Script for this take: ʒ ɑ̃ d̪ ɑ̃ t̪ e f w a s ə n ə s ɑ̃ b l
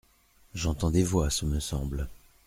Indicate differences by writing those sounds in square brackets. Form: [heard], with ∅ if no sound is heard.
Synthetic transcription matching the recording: ʒ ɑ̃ [t̪] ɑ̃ [d̪] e [v] w a s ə [m] ə s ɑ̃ b l

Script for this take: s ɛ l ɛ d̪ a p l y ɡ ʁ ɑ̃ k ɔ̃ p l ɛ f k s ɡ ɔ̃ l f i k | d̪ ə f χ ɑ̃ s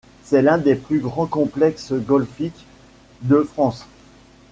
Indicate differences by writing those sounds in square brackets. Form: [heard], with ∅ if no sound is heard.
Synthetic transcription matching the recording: s ɛ l [ɛ̃] d̪ [e] p l y ɡ ʁ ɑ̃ k ɔ̃ p l ɛ [∅] k s ɡ [ɔ] l f i k | d̪ ə f χ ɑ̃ s

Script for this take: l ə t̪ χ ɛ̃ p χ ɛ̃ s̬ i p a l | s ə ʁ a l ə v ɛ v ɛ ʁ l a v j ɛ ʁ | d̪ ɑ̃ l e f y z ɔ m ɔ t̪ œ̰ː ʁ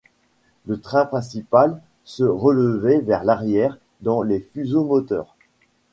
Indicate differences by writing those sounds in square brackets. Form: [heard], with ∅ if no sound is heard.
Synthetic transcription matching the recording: l ə t̪ χ ɛ̃ p χ ɛ̃ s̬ i p a l | s ə ʁ [ə] l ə v ɛ v ɛ ʁ l a [ʁ] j ɛ ʁ | d̪ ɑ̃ l e f y z [o] m ɔ t̪ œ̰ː ʁ

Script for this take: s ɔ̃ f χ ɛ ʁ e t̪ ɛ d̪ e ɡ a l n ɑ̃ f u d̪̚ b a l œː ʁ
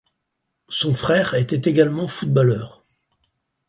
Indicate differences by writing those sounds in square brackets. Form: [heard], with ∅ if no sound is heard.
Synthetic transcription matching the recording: s ɔ̃ f χ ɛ ʁ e t̪ ɛ [t̪] e ɡ a l [m] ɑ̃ f u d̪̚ b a l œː ʁ

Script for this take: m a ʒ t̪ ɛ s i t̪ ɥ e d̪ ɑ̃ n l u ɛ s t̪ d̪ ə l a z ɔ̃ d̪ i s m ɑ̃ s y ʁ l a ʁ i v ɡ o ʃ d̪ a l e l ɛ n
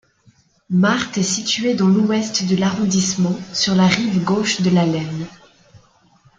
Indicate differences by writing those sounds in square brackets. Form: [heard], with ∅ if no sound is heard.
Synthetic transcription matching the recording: m a [ʁ] t̪ ɛ s i t̪ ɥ e d̪ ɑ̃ [∅] l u ɛ s t̪ d̪ ə l a [ʁ] ɔ̃ d̪ i s m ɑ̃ s y ʁ l a ʁ i v ɡ o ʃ d̪ [ə] l [a] l ɛ n

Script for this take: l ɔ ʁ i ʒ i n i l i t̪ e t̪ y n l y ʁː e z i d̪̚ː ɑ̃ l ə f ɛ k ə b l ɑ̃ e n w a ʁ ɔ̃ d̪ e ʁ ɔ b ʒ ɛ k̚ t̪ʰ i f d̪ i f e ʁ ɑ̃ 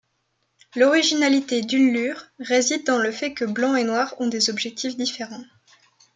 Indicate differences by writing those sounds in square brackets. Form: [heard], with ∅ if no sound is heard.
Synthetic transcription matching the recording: l ɔ ʁ i ʒ i n [a] l i t̪ e [d̪] y n l y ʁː e z i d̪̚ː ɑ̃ l ə f ɛ k ə b l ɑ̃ e n w a ʁ ɔ̃ d̪ e [z] ɔ b ʒ ɛ k̚ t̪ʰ i f d̪ i f e ʁ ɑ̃

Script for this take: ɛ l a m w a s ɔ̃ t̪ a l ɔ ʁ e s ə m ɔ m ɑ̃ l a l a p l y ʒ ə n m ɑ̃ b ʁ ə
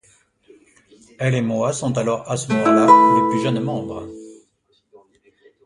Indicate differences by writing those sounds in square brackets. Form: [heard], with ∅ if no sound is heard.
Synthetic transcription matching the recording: ɛ l [e] m w a s ɔ̃ t̪ a l ɔ ʁ [a] s ə m ɔ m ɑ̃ l a l [ə] p l y ʒ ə n m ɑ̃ b ʁ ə

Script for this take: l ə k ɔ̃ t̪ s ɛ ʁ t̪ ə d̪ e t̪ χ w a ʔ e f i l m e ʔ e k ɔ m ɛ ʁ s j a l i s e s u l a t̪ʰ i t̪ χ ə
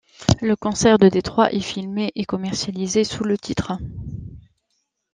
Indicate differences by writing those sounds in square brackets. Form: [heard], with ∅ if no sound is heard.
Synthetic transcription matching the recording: l ə k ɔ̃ [∅] s ɛ ʁ [d̪] ə d̪ e t̪ χ w a ʔ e f i l m e ʔ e k ɔ m ɛ ʁ s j a l i [z] e s u l [ə] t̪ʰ i t̪ χ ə

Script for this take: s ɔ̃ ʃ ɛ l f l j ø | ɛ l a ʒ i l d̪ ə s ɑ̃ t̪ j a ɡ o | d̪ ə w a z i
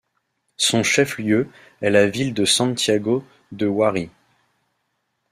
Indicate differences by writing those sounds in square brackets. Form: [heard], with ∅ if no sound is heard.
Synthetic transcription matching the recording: s ɔ̃ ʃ ɛ [∅] f l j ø | ɛ l a [v] i l d̪ ə s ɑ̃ t̪ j a ɡ o | d̪ ə w a [ʁ] i

